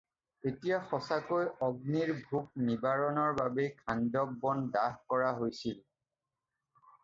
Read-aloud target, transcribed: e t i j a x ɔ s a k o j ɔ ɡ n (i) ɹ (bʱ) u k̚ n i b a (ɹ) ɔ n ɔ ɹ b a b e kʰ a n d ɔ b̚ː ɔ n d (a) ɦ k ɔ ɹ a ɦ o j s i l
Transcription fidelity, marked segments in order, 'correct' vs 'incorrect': correct, correct, correct, correct

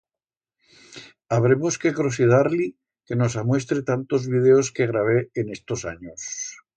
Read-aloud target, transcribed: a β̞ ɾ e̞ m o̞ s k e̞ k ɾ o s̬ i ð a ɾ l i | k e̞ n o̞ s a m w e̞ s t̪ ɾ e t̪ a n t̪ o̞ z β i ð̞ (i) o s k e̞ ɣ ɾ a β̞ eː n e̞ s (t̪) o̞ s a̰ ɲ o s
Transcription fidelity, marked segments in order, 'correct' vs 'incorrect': incorrect: e, correct

